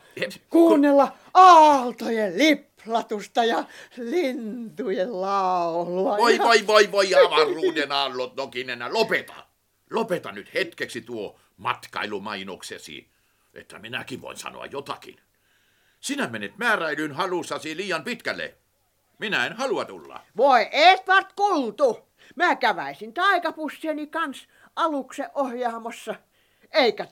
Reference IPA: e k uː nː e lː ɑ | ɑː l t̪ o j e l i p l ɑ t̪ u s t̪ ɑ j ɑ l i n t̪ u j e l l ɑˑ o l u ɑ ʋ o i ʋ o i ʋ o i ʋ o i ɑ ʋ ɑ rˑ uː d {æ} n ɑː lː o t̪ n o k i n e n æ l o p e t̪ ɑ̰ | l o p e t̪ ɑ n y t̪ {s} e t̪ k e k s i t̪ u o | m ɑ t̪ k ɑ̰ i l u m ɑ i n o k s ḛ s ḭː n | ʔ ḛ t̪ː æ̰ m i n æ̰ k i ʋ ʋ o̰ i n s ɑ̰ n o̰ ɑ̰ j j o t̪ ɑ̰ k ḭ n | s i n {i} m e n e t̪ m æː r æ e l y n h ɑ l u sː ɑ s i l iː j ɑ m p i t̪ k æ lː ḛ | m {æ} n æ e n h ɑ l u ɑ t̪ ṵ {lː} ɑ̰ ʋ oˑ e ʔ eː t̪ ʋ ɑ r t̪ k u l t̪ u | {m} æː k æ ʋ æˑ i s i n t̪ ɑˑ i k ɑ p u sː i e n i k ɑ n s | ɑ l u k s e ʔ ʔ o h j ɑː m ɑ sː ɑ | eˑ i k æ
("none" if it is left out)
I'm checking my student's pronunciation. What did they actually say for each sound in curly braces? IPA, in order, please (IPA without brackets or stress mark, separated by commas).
e, h, æ, i, lː, m